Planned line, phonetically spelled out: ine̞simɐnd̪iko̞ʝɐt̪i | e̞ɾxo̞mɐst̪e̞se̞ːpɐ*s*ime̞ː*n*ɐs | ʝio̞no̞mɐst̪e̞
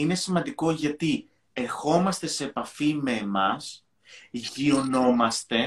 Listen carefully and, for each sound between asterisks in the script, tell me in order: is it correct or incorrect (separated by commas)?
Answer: incorrect, incorrect